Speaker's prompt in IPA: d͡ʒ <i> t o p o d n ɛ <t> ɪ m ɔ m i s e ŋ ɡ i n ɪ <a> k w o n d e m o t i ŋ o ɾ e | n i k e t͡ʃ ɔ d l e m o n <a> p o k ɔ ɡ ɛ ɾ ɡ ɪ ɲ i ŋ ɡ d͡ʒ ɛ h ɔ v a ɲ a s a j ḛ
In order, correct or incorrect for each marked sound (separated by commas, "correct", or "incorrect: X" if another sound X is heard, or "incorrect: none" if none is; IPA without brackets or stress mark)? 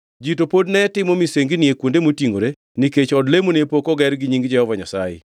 correct, correct, incorrect: e, incorrect: e